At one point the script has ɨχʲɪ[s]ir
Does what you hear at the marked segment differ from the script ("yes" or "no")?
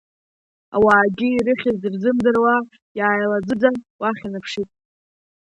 yes